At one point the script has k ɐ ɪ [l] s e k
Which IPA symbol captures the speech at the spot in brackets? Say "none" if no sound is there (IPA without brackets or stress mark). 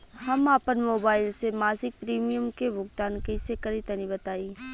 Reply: none